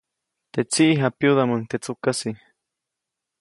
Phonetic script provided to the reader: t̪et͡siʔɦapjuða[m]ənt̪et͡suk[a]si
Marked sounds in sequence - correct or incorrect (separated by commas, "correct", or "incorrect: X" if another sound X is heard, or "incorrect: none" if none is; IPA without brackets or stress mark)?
correct, correct